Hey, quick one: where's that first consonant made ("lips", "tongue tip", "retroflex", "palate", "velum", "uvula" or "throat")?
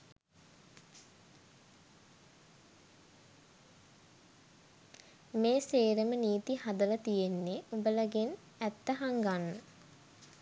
lips